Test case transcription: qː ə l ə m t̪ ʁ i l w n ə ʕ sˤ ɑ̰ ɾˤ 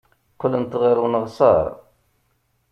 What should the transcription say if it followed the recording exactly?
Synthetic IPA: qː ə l ə n t̪ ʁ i ɾ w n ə ʁ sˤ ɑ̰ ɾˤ

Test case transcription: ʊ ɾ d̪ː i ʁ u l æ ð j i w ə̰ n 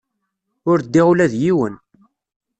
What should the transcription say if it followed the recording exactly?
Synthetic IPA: ʊ ɾ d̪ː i ʁ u l æ ð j i w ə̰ n

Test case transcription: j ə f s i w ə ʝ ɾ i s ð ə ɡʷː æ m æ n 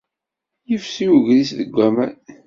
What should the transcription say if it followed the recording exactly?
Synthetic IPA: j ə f s i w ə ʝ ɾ i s ð ə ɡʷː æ m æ n

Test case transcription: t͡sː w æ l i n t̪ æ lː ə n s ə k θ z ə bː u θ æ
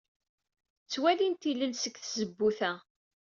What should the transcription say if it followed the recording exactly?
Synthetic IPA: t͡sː w æ l i n t̪ i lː ə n s ə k θ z ə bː u θ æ

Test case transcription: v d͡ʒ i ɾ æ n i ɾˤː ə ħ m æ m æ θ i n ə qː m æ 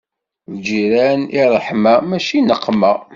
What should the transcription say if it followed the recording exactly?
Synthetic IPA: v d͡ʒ i ɾ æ n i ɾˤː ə ħ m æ m æ ʃ i n ə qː m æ

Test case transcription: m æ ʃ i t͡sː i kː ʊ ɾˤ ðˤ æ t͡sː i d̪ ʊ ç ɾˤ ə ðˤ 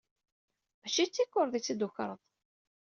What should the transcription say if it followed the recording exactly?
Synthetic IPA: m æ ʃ i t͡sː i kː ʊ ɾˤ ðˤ i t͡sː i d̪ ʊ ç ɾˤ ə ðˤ

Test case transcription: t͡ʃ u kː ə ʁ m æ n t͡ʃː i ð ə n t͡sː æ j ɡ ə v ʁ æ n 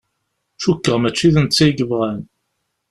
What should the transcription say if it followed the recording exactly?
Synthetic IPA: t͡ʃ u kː ə ʁ m æ t͡ʃː i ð ə n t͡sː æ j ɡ ə v ʁ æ n

